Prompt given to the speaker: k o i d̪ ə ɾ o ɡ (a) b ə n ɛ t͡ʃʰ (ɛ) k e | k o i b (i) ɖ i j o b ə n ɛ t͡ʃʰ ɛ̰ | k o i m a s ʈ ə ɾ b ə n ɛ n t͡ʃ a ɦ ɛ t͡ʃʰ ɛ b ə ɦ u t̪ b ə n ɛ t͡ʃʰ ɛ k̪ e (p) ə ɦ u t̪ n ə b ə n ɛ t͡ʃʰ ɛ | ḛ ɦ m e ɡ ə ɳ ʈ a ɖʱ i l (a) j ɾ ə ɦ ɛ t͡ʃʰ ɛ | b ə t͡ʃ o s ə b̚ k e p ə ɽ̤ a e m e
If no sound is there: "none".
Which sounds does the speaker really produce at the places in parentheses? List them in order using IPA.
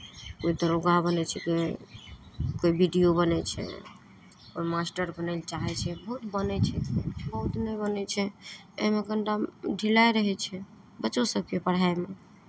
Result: a, ɛ, i, b, a

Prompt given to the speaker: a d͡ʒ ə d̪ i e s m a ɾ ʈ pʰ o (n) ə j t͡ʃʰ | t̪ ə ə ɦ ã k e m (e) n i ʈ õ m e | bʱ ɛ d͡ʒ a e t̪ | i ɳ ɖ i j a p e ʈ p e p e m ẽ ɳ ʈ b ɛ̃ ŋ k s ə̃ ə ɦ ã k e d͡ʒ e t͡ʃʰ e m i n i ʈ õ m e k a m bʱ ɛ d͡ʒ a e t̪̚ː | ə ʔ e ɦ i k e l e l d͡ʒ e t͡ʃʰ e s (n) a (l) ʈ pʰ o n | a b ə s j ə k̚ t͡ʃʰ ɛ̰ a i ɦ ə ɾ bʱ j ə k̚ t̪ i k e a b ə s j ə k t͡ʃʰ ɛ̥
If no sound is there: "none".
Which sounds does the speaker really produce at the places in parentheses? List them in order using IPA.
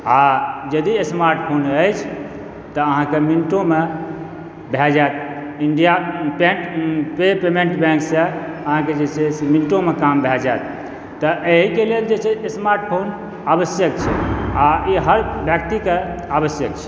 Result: n, i, m, ɾ

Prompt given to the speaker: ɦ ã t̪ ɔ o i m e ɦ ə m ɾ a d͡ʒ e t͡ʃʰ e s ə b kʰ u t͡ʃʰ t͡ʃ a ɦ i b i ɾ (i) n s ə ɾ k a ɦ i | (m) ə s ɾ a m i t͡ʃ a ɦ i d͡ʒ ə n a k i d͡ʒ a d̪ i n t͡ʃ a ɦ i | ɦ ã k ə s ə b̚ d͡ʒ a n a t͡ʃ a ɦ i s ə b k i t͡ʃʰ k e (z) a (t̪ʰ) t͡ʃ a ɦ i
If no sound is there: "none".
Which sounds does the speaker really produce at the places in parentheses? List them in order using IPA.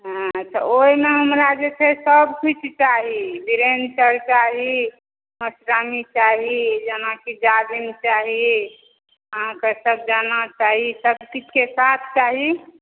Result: e, m, s, t̪ʰ

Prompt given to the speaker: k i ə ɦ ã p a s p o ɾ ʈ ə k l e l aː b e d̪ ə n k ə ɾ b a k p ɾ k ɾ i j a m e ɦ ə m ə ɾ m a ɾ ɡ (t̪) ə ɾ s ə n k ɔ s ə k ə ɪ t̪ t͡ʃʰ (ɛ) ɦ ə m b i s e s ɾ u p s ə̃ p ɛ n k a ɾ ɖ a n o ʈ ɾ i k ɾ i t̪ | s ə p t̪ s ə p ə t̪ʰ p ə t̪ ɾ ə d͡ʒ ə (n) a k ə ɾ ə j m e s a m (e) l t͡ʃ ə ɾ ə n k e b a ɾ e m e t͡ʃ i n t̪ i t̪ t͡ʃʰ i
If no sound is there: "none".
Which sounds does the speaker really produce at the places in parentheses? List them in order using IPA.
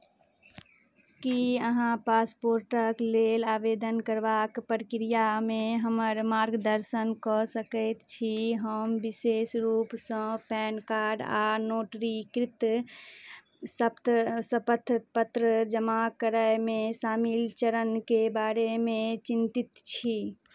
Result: d̪, i, m, i

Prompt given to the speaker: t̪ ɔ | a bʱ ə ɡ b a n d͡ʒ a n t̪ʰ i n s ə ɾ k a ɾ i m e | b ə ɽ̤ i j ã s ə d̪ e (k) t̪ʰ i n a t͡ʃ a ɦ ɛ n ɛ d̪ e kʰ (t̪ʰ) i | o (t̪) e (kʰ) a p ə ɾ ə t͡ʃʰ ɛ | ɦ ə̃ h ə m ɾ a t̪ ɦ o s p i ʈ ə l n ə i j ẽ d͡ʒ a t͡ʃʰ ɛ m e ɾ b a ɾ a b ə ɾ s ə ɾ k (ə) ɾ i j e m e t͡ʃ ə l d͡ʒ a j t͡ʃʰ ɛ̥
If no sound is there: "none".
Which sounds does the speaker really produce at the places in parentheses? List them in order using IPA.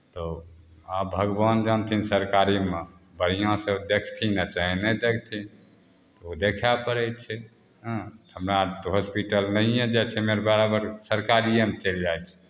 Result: kʰ, t̪ʰ, d̪, kʰ, a

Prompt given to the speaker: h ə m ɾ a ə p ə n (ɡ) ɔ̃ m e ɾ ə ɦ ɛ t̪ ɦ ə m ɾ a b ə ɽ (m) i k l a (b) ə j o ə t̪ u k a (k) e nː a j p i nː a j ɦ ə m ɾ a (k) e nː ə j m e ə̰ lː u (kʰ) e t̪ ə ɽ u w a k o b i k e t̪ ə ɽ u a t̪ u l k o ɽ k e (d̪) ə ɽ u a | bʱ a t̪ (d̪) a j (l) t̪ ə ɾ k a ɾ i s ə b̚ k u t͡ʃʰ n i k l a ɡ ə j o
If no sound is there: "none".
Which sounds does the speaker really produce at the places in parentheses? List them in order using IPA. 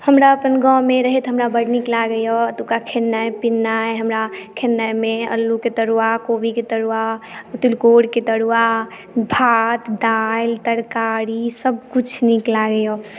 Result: ɡ, n, ɡ, kʰ, kʰ, k, t̪, d̪, l

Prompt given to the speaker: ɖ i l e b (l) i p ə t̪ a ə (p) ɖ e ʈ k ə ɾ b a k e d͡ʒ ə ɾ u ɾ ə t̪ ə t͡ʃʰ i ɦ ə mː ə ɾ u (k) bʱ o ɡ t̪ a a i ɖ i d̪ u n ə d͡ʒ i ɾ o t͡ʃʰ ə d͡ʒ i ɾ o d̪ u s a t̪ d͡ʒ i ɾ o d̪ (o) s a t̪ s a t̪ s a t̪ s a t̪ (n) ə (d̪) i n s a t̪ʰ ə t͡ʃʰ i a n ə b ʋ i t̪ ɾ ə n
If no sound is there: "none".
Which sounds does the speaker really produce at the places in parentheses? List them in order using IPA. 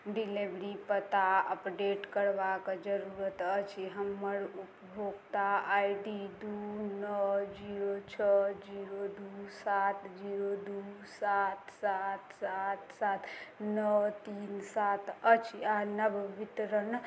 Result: ɾ, p, p, u, n, t̪

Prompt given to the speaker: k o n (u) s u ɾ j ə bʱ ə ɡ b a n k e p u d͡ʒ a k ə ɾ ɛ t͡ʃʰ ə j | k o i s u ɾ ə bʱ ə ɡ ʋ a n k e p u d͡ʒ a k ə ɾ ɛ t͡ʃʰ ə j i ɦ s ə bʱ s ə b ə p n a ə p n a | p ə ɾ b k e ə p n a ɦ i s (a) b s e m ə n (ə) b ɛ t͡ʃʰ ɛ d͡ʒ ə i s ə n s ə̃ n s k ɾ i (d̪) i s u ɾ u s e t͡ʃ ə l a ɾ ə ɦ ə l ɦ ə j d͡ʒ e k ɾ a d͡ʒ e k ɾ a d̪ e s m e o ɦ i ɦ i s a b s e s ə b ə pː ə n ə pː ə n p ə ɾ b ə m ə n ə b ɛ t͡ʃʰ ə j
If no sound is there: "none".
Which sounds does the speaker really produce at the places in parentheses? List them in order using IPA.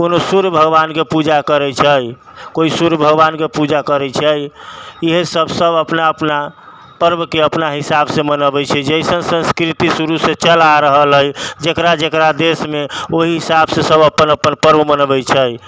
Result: o, a, ə, t̪

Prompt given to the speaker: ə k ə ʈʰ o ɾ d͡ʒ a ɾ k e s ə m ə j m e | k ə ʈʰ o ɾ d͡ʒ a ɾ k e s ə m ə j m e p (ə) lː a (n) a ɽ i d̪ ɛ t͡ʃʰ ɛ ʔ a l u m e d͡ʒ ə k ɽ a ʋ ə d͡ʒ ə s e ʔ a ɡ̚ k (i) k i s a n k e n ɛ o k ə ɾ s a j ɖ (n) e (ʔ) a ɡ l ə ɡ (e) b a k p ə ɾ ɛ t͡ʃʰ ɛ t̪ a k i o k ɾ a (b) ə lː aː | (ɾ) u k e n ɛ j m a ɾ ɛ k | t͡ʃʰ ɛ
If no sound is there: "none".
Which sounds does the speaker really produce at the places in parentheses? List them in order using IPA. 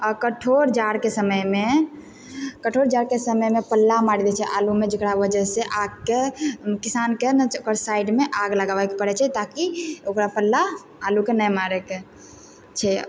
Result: ə, m, e, m, ʔ, a, p, l

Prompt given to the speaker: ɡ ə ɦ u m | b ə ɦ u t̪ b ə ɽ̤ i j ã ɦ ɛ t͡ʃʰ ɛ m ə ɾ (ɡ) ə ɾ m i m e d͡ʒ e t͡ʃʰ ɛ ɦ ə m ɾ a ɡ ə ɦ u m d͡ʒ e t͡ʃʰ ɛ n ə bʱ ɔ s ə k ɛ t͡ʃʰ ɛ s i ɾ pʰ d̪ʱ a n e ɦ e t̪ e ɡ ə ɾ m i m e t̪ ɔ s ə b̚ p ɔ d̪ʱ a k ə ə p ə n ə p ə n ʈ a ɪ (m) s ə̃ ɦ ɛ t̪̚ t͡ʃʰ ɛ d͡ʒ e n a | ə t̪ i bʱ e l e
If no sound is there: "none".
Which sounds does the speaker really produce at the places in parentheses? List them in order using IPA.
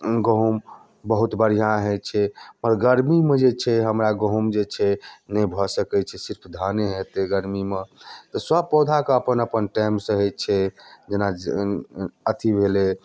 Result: ɡ, m

